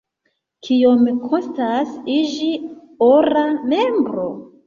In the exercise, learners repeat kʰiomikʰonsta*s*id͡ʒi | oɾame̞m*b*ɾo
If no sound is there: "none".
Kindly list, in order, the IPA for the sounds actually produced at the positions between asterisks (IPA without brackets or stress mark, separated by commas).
s, b